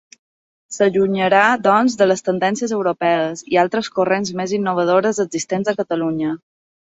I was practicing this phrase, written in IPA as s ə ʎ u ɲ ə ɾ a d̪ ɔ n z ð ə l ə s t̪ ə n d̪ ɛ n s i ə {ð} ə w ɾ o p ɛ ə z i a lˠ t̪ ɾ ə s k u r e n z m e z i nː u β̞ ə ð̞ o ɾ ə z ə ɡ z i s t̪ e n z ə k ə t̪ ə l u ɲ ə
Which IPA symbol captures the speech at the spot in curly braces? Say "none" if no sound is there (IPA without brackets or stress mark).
z